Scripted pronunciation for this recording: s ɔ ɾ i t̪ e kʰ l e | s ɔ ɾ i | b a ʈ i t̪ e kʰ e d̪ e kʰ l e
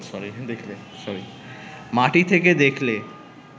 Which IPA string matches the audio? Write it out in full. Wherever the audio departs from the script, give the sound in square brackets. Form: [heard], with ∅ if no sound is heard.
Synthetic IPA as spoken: s ɔ ɾ i [d̪] e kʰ l e | s ɔ ɾ i | [m] a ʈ i [t̪ʰ] e [k] e d̪ e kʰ l e